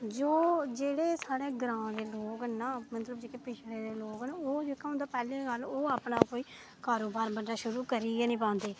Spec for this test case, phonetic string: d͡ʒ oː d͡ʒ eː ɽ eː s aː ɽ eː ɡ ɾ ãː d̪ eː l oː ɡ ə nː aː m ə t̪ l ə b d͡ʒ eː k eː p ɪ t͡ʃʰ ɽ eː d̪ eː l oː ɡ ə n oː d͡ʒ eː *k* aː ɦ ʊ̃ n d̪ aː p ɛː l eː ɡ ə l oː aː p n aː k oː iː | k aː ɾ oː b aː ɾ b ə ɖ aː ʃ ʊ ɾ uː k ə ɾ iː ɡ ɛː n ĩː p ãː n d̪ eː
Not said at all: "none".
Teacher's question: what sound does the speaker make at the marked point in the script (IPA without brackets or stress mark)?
k